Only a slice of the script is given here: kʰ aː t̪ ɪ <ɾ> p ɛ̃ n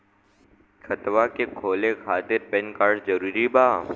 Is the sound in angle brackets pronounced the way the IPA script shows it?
yes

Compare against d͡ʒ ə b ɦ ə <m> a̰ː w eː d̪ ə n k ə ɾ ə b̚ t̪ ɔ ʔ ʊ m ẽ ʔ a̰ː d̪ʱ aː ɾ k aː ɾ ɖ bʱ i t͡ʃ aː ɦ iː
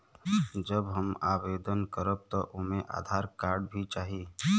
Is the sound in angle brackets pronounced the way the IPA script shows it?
yes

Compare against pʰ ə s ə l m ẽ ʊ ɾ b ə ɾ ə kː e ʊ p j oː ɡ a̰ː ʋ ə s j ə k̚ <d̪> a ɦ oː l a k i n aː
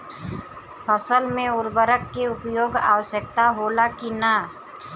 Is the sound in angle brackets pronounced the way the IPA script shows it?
no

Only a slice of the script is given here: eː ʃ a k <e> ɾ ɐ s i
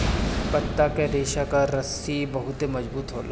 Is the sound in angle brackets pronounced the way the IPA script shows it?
no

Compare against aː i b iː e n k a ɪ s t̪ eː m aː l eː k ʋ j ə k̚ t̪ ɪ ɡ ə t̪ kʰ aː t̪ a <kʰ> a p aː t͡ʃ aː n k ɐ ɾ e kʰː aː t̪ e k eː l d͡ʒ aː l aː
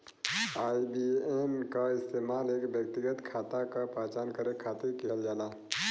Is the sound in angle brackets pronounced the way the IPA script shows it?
no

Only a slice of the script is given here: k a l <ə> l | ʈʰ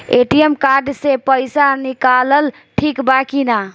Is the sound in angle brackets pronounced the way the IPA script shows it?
yes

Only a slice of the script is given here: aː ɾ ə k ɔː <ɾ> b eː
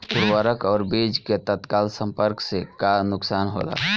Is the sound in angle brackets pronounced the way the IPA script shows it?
yes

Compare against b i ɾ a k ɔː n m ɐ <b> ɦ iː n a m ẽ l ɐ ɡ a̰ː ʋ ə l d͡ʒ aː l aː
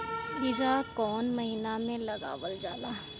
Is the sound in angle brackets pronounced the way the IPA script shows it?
no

